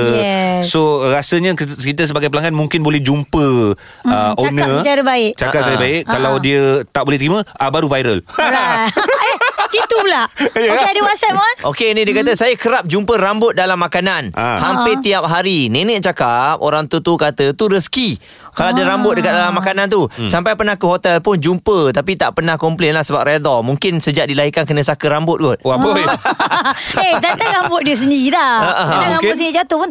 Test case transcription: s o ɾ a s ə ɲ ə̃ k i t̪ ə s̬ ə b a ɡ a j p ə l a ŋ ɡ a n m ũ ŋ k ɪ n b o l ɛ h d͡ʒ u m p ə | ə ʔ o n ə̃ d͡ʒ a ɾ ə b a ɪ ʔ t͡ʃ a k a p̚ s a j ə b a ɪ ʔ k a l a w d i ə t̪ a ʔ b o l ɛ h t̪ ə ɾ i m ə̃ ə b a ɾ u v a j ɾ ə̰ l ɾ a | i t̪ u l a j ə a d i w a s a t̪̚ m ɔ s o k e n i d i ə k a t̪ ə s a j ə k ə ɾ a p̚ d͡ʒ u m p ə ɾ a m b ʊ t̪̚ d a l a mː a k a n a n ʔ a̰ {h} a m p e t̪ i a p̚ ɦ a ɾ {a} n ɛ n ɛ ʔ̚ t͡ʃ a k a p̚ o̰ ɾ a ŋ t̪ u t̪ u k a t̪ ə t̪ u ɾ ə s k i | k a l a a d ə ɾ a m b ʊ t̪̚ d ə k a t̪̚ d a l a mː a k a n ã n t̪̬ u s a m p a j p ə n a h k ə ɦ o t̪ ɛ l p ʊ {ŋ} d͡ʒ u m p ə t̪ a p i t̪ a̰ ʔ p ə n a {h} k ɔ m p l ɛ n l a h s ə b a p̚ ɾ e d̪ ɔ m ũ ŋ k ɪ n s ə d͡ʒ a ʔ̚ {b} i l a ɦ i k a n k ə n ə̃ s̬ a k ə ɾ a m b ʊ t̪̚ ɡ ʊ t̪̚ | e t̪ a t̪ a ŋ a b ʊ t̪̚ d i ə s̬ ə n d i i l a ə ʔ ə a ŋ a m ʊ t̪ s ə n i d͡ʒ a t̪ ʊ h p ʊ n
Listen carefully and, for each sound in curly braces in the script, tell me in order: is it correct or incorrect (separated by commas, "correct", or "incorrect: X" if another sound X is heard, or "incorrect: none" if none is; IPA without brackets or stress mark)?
correct, incorrect: i, incorrect: n, correct, incorrect: d